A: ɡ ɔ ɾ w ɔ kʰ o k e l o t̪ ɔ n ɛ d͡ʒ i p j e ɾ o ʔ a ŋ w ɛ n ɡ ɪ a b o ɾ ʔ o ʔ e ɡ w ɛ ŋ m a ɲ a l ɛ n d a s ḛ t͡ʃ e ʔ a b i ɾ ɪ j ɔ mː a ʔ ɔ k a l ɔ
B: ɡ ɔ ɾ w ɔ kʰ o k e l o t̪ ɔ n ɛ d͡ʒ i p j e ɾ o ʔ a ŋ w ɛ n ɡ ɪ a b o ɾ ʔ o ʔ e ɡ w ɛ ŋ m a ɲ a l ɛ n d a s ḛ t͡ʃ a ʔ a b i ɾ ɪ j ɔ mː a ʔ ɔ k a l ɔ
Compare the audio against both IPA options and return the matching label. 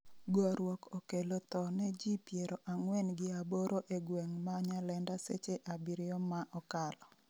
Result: A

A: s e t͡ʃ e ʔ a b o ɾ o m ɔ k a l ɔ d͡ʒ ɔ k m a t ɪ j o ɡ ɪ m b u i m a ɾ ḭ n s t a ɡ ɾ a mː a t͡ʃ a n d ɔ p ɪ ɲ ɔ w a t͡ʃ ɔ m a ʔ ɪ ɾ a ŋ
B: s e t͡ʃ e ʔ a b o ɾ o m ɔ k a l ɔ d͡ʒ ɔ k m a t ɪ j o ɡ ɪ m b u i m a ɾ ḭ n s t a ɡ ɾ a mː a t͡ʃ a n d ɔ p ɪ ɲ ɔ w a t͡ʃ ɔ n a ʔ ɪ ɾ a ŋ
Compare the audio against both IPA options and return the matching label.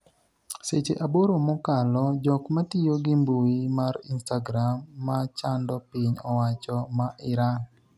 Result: A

